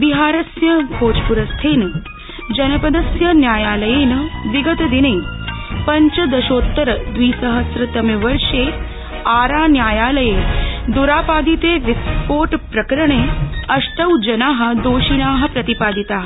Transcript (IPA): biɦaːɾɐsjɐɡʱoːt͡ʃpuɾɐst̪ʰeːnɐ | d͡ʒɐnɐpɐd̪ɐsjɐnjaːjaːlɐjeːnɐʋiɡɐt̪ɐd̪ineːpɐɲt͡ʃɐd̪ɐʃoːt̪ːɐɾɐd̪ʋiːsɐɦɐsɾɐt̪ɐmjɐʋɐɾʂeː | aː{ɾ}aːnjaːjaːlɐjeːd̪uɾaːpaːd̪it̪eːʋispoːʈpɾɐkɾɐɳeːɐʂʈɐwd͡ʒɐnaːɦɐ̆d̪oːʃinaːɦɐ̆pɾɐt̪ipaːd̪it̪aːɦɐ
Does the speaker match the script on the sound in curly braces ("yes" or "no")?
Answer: yes